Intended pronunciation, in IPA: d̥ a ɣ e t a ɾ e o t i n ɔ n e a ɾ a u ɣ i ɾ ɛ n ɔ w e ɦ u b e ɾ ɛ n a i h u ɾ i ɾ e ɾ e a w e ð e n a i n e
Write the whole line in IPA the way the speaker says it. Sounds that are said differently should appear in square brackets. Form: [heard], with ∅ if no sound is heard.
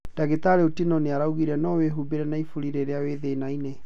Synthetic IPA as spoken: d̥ a ɣ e t a ɾ e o t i n ɔ n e a ɾ a u ɣ i ɾ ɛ n ɔ w e ɦ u b e ɾ ɛ n a i [f] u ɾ i ɾ e ɾ e a w e ð e n a i n e

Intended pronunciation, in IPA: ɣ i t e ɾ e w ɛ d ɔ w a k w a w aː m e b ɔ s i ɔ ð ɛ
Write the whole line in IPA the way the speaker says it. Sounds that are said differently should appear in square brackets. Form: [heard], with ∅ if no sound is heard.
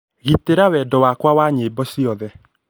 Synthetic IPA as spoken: ɣ i t e ɾ [a] w ɛ d ɔ w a k w a w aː [ɲ] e b ɔ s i ɔ ð ɛ

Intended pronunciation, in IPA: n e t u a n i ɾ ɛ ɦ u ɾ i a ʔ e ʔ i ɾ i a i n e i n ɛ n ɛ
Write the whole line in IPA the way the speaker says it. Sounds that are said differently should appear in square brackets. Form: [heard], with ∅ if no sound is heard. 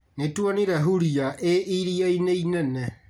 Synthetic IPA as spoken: n e t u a n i ɾ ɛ ɦ u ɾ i a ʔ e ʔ i ɾ i a i n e i n ɛ n ɛ

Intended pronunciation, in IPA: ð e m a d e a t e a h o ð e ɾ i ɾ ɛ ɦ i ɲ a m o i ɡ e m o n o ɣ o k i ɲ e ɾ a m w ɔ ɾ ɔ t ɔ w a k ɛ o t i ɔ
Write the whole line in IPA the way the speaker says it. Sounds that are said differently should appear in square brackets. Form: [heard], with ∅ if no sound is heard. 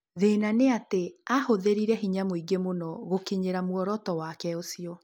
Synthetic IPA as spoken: ð e [n] a [n] e a t e a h o ð e ɾ i ɾ ɛ ɦ i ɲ a m o i ɡ e m o n [ɔ] ɣ o k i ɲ e ɾ a m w ɔ ɾ ɔ t ɔ w a k ɛ o [s] i ɔ

